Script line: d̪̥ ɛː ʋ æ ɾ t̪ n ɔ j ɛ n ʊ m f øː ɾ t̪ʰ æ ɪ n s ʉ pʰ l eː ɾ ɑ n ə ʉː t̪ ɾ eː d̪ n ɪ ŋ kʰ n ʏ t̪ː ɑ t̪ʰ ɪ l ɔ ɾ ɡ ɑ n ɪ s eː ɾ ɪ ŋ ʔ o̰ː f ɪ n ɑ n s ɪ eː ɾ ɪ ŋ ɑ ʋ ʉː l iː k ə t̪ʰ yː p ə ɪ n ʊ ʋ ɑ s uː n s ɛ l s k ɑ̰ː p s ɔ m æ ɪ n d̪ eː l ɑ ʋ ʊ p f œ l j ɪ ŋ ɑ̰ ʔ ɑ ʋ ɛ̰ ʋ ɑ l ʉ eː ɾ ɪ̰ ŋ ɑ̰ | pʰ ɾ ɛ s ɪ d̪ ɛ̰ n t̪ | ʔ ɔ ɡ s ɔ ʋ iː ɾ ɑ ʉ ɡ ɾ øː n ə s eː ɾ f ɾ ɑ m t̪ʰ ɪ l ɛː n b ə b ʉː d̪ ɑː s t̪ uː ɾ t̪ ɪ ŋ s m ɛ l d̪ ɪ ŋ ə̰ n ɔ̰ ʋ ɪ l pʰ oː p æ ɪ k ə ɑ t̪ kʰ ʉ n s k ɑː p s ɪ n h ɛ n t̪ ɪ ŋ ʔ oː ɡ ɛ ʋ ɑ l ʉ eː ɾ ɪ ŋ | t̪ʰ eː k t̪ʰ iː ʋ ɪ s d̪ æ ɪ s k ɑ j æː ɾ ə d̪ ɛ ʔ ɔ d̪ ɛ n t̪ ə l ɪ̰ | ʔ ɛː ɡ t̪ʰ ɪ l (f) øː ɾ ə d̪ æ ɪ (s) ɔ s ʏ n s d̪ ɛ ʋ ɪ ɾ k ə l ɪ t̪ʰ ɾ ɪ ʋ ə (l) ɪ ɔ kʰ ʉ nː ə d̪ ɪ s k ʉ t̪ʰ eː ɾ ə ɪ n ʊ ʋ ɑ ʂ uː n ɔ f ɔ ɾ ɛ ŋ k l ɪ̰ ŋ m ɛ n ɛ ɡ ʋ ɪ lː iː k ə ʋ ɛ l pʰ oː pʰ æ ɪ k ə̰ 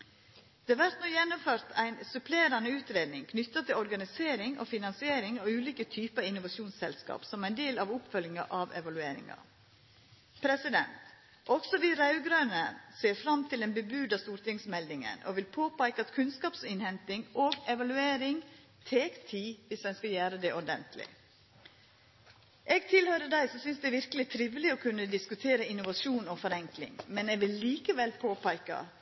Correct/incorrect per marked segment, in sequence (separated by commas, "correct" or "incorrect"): incorrect, correct, correct